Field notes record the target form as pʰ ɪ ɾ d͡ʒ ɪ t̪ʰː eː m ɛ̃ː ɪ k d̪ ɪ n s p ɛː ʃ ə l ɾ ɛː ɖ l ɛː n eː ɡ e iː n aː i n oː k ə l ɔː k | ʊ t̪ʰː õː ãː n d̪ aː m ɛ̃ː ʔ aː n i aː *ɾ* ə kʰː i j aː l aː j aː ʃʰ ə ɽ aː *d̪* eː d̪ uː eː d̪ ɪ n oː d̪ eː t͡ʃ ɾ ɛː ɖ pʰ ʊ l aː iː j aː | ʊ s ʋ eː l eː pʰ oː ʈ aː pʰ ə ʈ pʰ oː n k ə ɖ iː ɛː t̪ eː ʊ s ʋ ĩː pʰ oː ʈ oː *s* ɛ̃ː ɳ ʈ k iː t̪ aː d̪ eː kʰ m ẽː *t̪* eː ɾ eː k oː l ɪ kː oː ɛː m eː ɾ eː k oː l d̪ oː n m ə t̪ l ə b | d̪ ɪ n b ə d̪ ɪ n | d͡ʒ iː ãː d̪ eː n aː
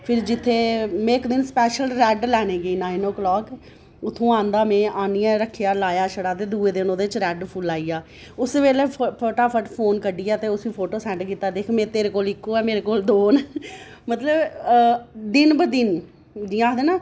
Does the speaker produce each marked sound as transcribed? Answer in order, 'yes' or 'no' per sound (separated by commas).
yes, no, yes, yes